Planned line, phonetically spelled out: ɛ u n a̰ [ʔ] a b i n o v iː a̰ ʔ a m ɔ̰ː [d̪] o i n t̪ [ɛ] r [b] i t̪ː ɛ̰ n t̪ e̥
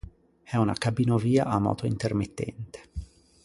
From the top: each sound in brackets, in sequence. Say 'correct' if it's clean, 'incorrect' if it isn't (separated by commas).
incorrect, incorrect, incorrect, incorrect